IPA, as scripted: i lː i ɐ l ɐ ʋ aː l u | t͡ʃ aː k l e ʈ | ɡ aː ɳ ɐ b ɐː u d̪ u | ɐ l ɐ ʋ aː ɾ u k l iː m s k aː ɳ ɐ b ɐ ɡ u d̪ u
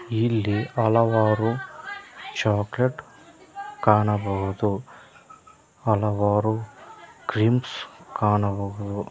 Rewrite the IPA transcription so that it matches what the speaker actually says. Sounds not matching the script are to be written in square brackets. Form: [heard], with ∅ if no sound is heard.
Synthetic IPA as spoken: i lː i ɐ l ɐ ʋ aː [ɾ] u | t͡ʃ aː k l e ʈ | [k] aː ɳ ɐ b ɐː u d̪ u | ɐ l ɐ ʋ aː ɾ u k [ɾ] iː m s k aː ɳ ɐ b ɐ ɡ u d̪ u